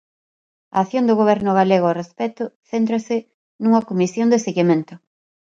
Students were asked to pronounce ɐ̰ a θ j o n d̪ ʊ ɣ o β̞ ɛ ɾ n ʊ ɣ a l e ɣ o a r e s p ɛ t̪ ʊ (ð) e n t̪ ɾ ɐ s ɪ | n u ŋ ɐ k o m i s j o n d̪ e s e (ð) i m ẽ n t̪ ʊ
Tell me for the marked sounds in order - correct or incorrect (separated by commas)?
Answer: incorrect, incorrect